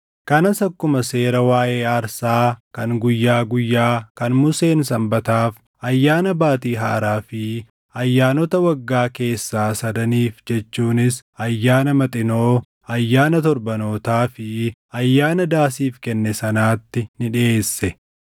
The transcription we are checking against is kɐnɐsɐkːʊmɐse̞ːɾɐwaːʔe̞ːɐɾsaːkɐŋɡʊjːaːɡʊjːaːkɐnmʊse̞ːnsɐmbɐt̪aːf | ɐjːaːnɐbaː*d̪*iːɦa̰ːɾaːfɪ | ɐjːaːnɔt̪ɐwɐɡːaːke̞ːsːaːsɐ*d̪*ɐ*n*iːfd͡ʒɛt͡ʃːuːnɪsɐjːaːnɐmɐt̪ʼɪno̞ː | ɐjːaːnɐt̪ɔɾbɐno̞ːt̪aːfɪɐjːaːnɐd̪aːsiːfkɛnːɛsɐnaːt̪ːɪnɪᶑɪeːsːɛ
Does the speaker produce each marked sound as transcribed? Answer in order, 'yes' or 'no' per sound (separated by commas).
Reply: no, yes, yes